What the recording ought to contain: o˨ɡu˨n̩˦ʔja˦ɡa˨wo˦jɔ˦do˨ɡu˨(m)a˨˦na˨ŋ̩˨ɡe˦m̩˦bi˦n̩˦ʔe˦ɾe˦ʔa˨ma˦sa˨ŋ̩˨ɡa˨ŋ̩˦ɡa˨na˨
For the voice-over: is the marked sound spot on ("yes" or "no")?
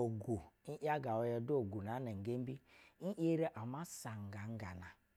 no